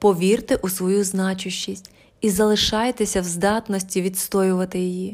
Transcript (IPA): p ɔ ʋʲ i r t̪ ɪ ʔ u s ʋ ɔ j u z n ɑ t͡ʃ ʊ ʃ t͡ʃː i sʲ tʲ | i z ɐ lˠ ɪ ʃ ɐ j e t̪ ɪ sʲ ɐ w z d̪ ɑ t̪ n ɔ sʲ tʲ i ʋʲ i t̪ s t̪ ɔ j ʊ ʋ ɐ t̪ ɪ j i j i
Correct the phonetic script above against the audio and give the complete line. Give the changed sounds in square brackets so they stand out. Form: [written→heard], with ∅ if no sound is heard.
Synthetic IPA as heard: p ɔ ʋʲ i r t̪ ɪ ʔ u s ʋ ɔ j u z n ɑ t͡ʃ ʊ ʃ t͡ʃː i sʲ tʲ | i z ɐ lˠ ɪ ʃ [ɐ→ɑ] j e t̪ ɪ sʲ ɐ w z d̪ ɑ t̪ n ɔ sʲ tʲ i ʋʲ i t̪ s t̪ ɔ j ʊ ʋ ɐ t̪ ɪ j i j i